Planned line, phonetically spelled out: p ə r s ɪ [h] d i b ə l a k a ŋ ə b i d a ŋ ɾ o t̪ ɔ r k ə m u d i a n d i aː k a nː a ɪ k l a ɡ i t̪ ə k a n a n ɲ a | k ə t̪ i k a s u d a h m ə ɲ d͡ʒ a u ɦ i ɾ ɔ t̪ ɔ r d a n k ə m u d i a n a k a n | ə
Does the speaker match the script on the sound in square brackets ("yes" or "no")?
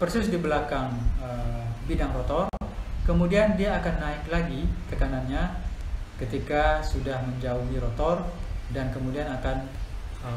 no